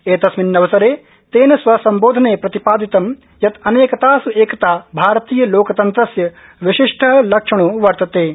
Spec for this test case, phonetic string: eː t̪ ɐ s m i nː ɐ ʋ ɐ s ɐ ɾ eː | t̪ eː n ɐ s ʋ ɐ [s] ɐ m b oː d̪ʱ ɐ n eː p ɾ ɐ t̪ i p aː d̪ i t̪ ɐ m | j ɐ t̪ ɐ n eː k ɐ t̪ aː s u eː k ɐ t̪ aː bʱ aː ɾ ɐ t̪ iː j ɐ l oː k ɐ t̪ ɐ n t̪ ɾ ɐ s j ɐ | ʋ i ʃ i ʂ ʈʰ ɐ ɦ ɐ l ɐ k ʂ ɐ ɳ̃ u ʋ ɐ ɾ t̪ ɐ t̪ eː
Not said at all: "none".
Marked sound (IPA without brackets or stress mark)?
s